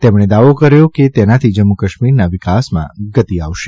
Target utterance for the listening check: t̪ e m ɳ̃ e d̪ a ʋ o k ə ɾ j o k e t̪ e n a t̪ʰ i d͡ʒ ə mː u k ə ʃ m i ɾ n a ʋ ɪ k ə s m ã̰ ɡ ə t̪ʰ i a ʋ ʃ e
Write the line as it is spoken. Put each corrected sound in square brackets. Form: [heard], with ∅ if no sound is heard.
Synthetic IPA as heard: t̪ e m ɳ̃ e d̪ a ʋ o k ə ɾ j o k e t̪ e n a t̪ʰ i d͡ʒ ə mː u k ə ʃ m i ɾ n a ʋ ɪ k [a] s m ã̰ ɡ ə [t̪] i a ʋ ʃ e